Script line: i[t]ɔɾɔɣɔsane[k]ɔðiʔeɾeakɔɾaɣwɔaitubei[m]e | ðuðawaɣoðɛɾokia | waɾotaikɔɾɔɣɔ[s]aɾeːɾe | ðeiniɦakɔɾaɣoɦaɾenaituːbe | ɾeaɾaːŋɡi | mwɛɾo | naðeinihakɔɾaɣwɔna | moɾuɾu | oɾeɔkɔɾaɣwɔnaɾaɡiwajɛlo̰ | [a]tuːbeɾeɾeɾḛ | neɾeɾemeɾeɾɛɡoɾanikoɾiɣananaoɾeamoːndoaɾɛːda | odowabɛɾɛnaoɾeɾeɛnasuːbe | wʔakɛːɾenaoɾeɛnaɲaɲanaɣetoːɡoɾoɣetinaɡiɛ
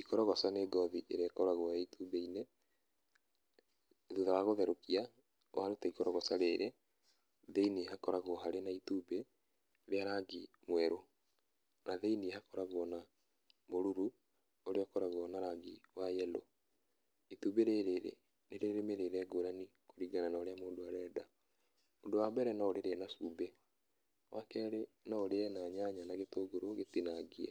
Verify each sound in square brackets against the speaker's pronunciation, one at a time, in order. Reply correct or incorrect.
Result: incorrect, incorrect, incorrect, correct, incorrect

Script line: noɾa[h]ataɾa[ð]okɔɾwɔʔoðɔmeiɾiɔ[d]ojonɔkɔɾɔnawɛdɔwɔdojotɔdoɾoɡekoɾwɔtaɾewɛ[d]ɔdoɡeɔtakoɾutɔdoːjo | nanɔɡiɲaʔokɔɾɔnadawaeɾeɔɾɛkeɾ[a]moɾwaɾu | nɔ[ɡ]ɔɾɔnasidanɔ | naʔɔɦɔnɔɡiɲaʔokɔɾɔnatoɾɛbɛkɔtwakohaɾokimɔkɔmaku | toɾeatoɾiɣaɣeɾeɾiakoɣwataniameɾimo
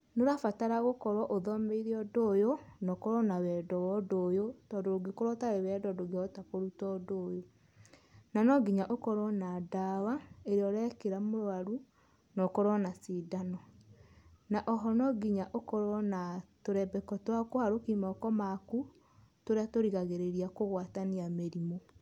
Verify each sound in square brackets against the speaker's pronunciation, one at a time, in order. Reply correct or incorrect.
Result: incorrect, incorrect, correct, correct, correct, incorrect

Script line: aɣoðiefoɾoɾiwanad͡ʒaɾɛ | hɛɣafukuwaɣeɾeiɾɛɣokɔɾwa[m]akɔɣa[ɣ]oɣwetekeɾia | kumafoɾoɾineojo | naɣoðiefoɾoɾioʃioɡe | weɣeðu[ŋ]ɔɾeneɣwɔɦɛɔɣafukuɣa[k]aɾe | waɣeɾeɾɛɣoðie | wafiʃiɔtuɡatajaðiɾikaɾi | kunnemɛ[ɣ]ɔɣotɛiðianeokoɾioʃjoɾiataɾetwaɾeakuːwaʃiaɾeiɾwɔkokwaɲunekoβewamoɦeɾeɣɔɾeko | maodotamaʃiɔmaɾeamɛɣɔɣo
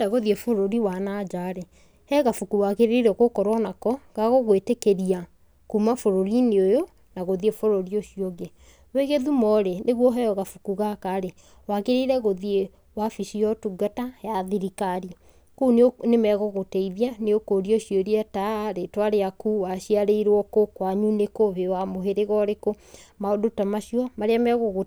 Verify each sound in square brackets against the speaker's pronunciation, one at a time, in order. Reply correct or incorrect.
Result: incorrect, correct, incorrect, correct, correct

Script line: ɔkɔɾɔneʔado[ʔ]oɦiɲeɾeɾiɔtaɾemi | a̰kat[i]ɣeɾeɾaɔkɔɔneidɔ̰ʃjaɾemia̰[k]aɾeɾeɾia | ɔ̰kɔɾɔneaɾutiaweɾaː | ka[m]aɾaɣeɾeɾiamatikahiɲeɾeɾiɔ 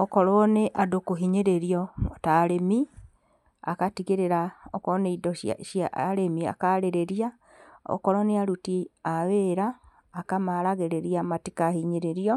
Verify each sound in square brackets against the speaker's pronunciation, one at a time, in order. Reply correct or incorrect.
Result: incorrect, correct, correct, correct

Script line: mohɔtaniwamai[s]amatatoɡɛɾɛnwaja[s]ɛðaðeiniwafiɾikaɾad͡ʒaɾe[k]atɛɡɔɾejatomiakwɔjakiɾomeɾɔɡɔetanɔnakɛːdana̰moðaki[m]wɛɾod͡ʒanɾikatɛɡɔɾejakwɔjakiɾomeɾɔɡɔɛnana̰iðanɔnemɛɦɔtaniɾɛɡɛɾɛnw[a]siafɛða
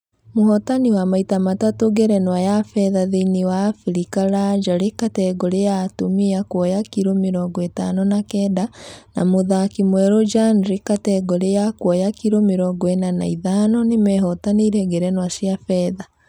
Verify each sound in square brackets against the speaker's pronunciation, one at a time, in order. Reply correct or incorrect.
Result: incorrect, incorrect, correct, correct, correct

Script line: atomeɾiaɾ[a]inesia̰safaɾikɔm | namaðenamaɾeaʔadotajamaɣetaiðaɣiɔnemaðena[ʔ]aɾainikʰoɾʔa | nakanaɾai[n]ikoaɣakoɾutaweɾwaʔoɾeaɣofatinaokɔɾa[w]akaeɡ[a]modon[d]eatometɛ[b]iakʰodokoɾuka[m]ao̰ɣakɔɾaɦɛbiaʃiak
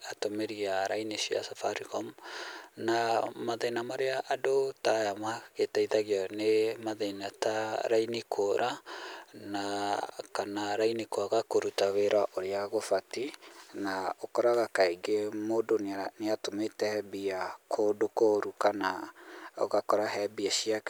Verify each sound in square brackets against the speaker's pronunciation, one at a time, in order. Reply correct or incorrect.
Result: correct, incorrect, correct, incorrect, incorrect, incorrect, correct, incorrect

